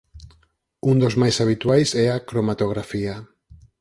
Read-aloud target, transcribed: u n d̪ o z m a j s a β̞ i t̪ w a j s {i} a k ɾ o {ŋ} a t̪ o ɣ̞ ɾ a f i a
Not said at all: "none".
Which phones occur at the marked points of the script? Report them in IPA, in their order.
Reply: ɛ, m

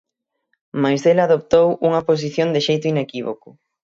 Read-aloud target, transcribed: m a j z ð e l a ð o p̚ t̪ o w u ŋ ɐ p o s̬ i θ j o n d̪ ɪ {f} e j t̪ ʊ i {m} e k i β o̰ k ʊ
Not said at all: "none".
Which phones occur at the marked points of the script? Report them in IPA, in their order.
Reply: ʃ, n

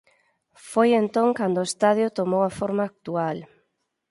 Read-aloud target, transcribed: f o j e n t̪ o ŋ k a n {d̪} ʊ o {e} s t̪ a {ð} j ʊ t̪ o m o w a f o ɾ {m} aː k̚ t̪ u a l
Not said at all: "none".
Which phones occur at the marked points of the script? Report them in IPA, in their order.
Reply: d̪, e, ð, m

